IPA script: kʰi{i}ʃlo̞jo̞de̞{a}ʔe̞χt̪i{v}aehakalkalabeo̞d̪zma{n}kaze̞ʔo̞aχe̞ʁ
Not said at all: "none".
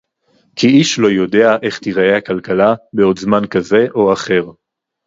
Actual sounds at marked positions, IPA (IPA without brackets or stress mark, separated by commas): i, a, ʁ, n